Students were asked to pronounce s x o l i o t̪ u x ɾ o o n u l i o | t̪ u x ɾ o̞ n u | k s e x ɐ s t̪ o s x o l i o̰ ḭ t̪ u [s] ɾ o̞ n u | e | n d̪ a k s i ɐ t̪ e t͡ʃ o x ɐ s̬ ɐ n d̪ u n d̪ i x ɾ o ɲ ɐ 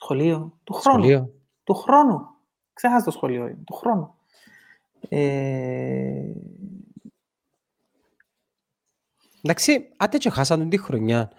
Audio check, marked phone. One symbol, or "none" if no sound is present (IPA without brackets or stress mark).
x